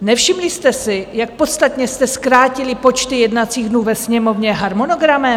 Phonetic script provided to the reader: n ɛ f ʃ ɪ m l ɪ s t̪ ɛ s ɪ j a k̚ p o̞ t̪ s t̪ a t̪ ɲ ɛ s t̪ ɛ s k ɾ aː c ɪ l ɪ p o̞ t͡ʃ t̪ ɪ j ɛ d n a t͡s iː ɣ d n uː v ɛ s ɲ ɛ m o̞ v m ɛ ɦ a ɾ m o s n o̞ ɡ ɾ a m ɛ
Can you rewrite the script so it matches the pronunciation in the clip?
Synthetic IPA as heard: n ɛ f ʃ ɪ m l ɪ s t̪ ɛ s ɪ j a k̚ p o̞ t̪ s t̪ a t̪ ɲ ɛ s t̪ ɛ s k ɾ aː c ɪ l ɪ p o̞ t͡ʃ t̪ ɪ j ɛ d n a t͡s iː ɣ d n uː v ɛ s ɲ ɛ m o̞ v ɲ ɛ ɦ a ɾ m o n o̞ ɡ ɾ a m ɛ